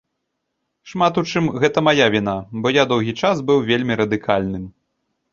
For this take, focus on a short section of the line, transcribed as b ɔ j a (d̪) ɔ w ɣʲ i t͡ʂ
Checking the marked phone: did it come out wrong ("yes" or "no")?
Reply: no